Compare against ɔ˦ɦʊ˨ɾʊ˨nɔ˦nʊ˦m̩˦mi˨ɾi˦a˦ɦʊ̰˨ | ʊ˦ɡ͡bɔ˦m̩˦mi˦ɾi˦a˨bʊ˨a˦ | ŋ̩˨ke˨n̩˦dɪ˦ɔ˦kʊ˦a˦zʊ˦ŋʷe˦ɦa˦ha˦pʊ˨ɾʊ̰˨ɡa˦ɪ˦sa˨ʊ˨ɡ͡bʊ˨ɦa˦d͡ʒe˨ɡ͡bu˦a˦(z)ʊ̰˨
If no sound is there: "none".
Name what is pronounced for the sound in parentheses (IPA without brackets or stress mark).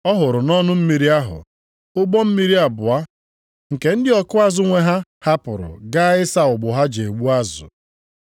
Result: z